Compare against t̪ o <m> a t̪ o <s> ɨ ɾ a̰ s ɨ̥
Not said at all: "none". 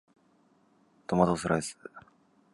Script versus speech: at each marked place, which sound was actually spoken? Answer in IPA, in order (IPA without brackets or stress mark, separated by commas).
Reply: m, s